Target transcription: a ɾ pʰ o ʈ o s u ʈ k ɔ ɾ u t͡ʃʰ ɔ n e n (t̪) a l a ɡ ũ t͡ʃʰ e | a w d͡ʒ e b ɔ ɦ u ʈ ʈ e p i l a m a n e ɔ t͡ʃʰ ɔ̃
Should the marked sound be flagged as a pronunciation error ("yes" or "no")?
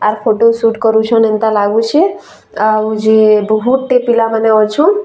no